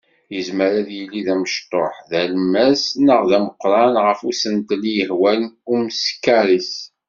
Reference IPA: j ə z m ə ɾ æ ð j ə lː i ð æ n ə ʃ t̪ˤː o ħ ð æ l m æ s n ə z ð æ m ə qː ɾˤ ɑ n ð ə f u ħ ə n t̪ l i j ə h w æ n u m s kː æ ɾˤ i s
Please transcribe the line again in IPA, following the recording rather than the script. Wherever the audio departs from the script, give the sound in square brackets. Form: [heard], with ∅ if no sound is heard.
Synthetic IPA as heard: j ə z m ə ɾ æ ð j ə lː i ð æ [m] ə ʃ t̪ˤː o ħ ð æ l m æ s n ə [ʁ] ð æ m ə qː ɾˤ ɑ n [ʁ] ə f u [s] ə n t̪ l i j ə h w æ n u m s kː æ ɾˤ i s